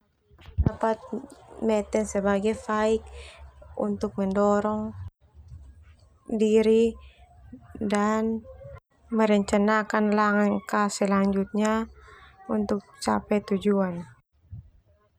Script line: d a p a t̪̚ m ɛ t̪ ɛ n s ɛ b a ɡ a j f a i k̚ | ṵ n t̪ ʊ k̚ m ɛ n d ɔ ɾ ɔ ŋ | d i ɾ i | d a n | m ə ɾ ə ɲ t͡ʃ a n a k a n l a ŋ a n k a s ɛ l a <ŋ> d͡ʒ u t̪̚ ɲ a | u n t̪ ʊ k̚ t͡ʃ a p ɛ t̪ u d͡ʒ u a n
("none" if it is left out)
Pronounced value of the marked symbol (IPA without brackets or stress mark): ɲ